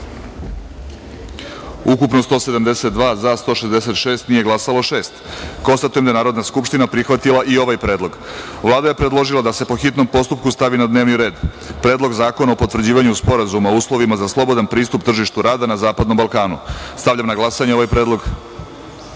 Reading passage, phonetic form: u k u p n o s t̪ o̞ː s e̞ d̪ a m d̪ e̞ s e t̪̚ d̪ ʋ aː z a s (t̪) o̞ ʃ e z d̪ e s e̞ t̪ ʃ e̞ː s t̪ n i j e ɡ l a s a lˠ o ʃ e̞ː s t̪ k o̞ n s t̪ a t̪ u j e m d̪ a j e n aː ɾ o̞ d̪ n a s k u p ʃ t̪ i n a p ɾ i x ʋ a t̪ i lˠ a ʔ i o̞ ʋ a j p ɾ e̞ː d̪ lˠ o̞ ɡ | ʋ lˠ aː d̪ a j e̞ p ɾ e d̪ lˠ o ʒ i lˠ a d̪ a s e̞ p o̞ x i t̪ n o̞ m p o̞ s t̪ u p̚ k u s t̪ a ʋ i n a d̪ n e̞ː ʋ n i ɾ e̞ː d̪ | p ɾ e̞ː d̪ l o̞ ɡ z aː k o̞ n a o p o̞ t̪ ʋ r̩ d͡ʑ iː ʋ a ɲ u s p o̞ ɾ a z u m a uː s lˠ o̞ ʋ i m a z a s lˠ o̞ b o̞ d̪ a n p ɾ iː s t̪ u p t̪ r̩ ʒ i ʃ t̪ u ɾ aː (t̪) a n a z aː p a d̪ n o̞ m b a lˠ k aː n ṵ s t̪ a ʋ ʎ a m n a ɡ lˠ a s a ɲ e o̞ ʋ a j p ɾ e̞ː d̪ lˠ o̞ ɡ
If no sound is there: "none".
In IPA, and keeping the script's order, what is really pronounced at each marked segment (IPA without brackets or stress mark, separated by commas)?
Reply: t̪, d̪